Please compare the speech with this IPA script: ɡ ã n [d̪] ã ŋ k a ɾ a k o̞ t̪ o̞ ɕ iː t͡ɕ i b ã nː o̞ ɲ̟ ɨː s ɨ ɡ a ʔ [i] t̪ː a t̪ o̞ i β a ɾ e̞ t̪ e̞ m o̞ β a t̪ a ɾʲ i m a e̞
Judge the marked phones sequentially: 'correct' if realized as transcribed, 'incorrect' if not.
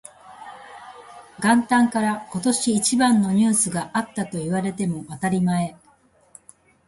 incorrect, incorrect

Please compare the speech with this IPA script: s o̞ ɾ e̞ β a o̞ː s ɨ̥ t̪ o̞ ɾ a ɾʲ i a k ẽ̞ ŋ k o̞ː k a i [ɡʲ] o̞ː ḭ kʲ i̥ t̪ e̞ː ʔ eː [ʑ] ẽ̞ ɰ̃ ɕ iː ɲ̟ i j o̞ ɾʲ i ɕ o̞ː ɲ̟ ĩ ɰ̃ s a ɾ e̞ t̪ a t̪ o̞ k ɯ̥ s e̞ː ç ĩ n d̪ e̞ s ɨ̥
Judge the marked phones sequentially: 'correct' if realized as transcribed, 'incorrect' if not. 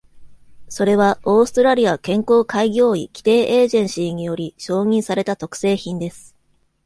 correct, correct

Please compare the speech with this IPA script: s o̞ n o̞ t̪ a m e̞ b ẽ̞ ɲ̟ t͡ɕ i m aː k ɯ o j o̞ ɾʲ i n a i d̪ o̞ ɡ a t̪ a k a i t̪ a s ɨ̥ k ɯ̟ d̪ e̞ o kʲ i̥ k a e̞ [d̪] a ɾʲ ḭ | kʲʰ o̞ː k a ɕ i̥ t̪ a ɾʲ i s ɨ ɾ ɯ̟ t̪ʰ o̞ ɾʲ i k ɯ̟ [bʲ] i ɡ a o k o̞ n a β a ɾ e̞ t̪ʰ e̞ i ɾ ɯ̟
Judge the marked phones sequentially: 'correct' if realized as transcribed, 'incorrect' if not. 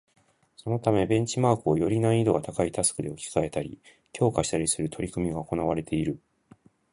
incorrect, incorrect

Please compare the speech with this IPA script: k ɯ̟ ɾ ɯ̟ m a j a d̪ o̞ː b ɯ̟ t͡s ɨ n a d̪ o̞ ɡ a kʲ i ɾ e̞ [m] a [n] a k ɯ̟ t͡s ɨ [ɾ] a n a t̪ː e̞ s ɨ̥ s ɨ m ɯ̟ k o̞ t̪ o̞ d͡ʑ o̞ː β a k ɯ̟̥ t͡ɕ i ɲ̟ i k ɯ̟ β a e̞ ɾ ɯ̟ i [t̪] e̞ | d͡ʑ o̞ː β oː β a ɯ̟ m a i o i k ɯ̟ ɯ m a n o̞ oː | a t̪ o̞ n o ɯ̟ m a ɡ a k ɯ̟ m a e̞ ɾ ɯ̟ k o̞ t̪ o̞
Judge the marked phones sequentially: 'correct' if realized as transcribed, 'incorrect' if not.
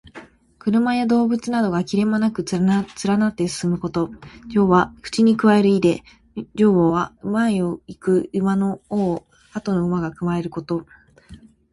correct, correct, correct, incorrect

